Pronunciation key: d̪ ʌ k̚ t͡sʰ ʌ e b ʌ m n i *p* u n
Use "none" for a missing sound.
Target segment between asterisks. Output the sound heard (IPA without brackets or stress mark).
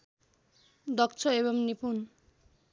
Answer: p